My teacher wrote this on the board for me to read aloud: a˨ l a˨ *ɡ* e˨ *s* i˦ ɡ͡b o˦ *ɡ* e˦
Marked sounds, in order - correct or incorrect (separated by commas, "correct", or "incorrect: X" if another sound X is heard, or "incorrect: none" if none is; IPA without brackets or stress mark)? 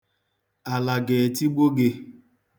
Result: correct, incorrect: t, correct